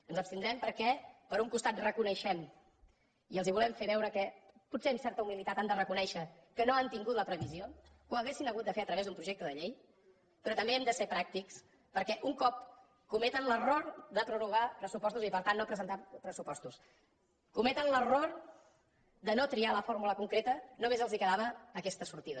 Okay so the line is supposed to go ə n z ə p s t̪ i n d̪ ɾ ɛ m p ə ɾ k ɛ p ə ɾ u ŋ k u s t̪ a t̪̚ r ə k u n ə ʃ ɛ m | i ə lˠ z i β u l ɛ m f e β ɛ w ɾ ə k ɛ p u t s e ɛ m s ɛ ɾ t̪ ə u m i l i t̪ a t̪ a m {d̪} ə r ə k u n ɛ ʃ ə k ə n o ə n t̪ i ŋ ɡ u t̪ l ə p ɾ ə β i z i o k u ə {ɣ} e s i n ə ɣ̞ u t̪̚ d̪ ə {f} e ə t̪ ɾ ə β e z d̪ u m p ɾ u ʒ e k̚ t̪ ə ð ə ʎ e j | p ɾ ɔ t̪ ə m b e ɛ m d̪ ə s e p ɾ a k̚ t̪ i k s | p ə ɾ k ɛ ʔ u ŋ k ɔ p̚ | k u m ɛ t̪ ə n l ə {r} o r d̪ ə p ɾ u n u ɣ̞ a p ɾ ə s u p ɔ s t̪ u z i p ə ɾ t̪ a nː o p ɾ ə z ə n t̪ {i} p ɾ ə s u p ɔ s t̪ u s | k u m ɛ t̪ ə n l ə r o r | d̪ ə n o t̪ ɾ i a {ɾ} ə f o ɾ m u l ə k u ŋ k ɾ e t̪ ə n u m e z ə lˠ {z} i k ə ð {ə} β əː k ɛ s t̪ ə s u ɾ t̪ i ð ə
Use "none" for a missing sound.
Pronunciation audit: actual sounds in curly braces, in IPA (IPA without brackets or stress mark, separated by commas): d̪, ɣ, f, r, a, l, z, a